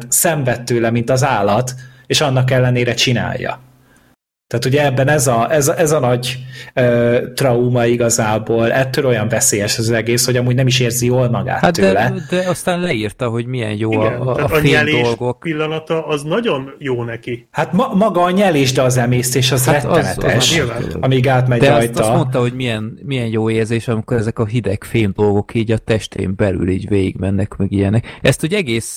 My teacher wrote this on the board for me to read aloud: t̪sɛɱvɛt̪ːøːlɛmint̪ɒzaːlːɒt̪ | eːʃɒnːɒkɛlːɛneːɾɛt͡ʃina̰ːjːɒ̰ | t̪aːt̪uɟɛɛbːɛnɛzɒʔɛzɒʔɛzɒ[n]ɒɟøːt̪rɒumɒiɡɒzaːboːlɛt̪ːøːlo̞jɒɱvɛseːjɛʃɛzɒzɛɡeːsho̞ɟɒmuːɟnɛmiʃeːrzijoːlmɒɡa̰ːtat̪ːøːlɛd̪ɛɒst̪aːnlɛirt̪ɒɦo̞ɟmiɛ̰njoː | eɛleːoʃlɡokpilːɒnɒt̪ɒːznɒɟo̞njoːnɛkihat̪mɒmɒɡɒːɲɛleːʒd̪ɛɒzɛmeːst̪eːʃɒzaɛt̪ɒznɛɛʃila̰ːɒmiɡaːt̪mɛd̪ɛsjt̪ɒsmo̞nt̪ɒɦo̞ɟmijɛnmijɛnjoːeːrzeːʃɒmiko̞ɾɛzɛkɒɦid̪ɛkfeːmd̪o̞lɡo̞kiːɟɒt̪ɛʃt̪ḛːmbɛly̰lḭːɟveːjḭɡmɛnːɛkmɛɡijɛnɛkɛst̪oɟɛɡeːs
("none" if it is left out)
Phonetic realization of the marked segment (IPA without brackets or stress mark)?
n